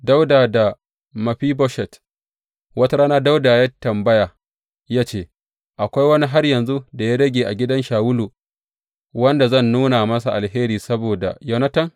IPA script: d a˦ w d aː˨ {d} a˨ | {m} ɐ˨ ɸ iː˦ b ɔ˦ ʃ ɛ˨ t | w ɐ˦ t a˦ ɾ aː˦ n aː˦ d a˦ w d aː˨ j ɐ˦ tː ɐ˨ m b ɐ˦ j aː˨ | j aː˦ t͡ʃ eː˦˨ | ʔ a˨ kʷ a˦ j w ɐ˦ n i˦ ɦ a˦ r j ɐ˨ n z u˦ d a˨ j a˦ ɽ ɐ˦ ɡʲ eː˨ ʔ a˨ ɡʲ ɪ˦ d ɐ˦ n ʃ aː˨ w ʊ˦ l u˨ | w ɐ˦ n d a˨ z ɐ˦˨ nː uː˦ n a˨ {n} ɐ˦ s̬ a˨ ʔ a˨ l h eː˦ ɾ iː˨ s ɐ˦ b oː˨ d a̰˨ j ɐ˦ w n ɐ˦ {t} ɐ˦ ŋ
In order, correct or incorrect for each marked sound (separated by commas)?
correct, correct, incorrect, correct